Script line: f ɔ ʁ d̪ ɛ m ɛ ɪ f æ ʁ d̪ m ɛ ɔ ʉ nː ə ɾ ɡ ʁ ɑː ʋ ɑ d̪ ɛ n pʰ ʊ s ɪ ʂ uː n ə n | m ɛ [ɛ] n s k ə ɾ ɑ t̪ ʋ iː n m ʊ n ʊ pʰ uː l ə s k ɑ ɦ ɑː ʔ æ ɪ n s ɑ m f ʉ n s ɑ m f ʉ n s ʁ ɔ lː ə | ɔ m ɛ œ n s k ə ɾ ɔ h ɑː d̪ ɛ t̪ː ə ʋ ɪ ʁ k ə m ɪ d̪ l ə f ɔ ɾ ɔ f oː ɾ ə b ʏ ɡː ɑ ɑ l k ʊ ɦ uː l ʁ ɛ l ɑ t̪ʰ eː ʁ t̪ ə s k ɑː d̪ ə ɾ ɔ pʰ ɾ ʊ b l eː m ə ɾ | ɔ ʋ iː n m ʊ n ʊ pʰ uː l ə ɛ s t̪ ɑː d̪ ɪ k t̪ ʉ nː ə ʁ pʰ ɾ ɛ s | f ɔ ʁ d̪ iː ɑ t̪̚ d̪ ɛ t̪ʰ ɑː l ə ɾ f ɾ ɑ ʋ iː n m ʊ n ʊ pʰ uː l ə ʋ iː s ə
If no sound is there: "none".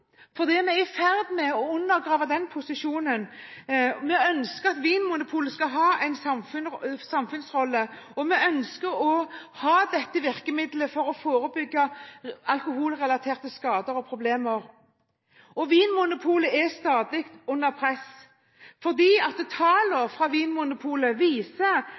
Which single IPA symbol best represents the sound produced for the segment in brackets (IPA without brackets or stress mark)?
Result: œ